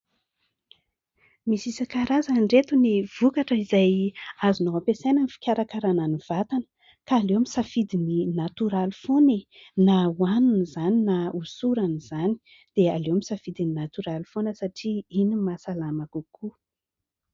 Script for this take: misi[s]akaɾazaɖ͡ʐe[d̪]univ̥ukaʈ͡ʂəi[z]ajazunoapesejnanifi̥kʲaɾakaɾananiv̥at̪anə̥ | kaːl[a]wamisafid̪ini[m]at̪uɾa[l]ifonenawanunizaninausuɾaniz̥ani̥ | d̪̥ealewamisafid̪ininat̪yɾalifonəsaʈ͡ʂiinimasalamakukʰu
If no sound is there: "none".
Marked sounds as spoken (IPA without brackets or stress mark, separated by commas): s, t̪, z, e, n, l